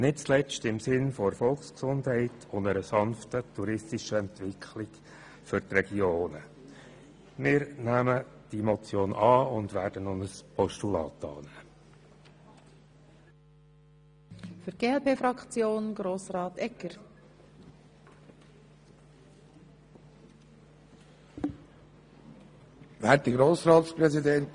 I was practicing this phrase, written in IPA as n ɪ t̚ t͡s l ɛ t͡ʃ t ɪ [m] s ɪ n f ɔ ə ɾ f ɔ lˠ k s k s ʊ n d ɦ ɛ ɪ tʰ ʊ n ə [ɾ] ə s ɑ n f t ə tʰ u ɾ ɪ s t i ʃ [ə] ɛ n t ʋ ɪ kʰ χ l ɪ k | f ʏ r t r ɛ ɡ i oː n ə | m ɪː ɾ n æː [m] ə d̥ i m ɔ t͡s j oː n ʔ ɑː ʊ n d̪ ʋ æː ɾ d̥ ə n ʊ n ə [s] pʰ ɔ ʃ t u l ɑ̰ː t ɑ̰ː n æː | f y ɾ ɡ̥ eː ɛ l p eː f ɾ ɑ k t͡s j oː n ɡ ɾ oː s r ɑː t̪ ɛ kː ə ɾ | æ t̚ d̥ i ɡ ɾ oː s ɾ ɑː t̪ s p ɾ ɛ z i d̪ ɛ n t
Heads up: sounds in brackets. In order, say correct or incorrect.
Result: correct, correct, correct, correct, correct

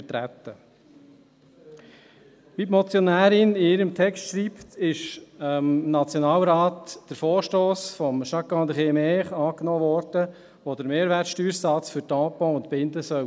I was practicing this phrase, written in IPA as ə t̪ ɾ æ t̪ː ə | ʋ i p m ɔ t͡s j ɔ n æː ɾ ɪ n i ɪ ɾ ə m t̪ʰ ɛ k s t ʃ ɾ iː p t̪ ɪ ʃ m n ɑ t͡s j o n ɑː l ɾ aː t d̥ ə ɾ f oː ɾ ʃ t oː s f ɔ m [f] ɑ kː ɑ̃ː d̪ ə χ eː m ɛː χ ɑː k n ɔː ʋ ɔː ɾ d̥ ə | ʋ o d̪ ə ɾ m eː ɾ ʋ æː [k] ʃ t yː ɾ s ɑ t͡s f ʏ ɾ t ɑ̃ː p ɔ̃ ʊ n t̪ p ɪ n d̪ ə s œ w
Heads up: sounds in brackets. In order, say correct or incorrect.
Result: incorrect: ʃ, incorrect: t

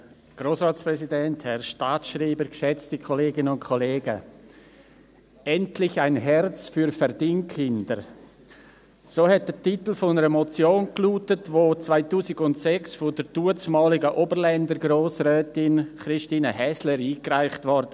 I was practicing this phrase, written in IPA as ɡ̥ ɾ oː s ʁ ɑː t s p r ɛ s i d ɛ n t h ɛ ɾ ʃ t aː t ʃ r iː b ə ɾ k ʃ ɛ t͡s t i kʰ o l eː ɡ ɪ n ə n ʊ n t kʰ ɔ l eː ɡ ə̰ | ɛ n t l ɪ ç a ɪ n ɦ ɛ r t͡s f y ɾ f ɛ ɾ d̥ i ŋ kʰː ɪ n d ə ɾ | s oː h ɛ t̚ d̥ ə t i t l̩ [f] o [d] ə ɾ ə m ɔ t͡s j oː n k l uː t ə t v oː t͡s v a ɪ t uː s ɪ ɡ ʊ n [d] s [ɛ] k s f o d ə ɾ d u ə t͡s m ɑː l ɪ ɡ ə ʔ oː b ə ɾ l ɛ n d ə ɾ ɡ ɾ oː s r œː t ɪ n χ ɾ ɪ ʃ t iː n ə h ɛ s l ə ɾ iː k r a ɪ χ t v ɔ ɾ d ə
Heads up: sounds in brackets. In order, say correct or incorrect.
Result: correct, incorrect: n, incorrect: t, correct

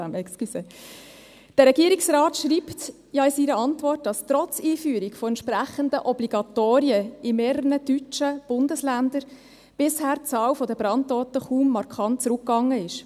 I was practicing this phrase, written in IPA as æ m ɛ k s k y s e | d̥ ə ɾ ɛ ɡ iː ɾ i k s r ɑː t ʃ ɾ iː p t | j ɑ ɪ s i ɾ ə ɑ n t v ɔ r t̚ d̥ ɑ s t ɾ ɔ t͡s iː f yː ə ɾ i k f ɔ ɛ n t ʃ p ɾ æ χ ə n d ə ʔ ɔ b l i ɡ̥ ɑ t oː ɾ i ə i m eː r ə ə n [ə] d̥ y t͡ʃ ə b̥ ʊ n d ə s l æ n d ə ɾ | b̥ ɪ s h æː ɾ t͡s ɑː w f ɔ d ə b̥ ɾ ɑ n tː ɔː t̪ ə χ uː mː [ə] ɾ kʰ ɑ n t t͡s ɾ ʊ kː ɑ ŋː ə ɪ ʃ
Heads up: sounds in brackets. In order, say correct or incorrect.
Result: correct, incorrect: ɑ

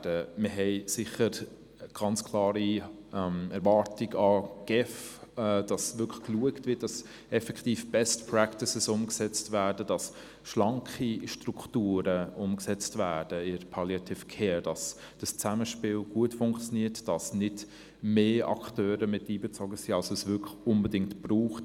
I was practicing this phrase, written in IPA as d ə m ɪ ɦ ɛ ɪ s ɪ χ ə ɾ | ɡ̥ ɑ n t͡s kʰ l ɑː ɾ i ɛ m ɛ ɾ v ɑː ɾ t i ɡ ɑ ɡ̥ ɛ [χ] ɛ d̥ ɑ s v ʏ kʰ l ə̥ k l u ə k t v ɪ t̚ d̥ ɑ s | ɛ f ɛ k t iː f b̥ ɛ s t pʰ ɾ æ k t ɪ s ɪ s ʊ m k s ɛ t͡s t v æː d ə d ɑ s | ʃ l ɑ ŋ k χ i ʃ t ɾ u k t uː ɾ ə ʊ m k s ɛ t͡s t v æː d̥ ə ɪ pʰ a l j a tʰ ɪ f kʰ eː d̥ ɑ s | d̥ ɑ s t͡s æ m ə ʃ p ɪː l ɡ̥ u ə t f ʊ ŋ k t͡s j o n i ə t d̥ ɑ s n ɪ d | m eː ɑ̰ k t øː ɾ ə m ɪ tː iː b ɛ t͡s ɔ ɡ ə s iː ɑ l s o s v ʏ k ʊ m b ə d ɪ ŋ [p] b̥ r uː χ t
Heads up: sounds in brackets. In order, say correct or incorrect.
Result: incorrect: f, incorrect: t

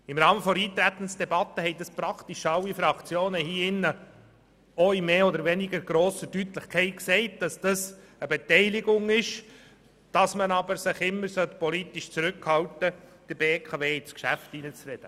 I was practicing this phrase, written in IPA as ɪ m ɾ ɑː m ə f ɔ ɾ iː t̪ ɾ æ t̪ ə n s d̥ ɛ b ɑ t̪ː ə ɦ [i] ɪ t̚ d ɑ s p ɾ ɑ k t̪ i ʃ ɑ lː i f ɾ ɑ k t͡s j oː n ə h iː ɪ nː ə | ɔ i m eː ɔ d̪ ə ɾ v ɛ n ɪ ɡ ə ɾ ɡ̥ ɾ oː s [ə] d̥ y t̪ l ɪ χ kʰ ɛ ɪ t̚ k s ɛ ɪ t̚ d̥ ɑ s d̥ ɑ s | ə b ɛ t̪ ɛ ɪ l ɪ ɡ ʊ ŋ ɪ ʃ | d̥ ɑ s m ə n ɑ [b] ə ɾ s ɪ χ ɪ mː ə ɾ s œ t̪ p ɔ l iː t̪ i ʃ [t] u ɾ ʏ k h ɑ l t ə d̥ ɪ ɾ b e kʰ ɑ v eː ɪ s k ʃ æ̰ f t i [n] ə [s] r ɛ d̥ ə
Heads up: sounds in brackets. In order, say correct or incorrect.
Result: incorrect: ɛ, correct, correct, incorrect: t͡s, correct, incorrect: t͡s

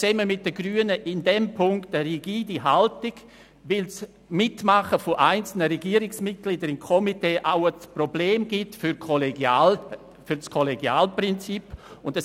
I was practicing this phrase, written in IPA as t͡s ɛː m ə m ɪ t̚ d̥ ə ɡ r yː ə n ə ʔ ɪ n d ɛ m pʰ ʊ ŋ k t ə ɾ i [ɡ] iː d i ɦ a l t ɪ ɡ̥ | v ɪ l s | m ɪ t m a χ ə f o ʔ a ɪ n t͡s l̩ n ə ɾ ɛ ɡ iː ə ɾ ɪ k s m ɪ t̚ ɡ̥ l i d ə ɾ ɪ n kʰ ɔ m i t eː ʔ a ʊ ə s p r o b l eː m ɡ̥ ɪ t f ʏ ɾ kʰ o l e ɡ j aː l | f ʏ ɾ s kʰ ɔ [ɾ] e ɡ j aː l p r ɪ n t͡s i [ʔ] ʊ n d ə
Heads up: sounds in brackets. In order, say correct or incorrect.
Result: correct, incorrect: l, incorrect: p

